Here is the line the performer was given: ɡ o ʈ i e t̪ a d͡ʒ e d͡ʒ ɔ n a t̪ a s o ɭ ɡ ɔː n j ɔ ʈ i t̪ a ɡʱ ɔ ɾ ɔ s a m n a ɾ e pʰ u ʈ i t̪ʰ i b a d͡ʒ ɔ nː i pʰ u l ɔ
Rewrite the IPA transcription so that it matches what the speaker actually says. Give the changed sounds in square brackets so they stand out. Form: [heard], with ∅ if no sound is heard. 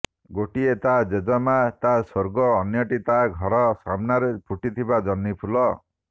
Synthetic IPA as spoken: ɡ o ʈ i e t̪ a d͡ʒ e d͡ʒ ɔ [m] a t̪ a s o [ɾ] ɡ ɔː n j ɔ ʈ i t̪ a ɡʱ ɔ ɾ ɔ s a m n a ɾ e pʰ u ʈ i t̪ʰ i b a d͡ʒ ɔ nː i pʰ u l ɔ